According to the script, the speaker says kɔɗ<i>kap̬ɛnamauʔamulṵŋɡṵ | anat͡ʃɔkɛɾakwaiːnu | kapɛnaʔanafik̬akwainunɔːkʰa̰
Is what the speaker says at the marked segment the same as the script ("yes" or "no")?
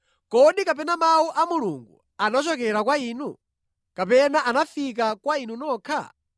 yes